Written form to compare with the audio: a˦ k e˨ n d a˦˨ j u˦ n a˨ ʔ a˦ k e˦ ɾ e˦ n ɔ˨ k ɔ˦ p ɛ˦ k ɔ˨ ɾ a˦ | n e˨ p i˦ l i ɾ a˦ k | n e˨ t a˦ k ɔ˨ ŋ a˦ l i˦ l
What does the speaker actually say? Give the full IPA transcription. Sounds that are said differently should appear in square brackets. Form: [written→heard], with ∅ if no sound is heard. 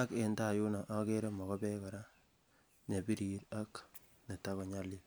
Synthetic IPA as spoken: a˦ k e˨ n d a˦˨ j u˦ n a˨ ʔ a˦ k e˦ ɾ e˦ [n→m] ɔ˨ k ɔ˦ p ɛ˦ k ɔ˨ ɾ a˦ | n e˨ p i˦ [l→ɾ] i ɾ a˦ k | n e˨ t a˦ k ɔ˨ [ŋ→ɲ] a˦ l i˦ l